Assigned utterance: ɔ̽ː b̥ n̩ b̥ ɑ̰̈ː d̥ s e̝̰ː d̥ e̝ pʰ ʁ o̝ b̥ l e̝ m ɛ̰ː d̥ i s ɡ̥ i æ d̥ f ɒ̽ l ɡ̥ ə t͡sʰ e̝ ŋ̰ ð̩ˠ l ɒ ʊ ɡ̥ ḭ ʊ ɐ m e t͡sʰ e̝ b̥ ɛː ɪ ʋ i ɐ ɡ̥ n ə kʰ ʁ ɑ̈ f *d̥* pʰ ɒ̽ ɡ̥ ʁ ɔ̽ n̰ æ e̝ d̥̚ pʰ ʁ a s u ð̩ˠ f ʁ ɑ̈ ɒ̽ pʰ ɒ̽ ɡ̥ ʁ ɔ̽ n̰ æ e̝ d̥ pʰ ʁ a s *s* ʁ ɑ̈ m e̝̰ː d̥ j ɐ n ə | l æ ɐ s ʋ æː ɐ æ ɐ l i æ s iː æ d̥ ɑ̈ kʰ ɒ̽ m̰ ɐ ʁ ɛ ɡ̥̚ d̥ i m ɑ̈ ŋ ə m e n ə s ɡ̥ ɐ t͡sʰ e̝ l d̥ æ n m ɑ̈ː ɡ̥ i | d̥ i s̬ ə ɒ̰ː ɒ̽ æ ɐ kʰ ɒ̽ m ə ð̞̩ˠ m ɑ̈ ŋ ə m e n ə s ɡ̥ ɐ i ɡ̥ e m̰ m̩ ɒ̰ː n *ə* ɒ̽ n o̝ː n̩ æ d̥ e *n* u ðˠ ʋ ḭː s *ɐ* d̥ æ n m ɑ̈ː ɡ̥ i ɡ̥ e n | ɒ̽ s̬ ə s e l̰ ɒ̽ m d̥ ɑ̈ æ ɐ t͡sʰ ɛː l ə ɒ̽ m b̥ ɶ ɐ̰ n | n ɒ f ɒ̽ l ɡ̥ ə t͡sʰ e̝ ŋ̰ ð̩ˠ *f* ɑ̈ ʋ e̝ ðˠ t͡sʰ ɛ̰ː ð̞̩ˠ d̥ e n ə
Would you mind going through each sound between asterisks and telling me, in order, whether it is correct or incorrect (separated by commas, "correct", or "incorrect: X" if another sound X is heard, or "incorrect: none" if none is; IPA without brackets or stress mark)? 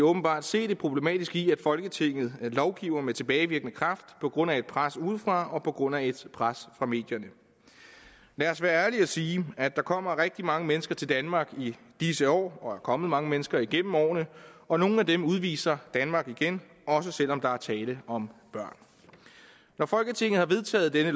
correct, incorrect: f, correct, incorrect: m, correct, incorrect: h